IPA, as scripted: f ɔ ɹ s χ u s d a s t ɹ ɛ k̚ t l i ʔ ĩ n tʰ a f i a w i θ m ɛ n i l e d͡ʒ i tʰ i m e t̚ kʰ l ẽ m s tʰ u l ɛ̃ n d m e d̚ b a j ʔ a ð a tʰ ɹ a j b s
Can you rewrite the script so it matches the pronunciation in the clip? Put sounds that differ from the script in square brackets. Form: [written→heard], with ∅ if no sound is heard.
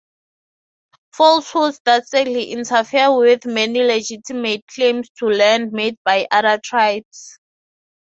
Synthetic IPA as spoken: f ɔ [ɹ→l] s [χ→h] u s d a s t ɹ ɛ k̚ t l i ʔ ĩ n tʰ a f i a w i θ m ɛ n i l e d͡ʒ i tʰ i m e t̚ kʰ l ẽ m s tʰ u l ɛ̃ n d m e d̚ b a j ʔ a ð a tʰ ɹ a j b s